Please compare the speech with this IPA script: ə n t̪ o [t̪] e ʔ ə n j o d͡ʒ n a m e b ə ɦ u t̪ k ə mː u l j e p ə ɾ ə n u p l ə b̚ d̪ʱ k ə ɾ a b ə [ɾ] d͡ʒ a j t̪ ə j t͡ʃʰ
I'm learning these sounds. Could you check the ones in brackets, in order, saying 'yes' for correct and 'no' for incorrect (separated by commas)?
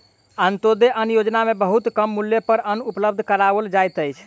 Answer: no, no